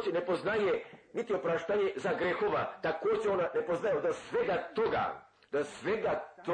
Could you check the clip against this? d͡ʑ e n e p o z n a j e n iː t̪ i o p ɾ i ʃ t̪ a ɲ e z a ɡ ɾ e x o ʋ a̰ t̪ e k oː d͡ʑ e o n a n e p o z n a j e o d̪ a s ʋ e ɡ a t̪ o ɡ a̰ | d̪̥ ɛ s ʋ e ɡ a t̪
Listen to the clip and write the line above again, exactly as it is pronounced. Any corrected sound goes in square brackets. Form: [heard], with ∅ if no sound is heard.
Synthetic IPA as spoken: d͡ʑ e n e p o z n a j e n [i] t̪ i o p ɾ [a] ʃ t̪ a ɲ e z a ɡ ɾ e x o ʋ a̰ t̪ [a] k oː d͡ʑ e o n a n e p o z n a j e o d̪ a s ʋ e ɡ a t̪ o ɡ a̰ | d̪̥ [a] s ʋ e ɡ a t̪